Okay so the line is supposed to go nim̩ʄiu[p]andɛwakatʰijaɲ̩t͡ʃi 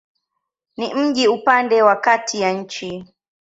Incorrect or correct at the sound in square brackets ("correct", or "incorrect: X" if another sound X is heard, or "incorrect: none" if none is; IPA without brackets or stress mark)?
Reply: correct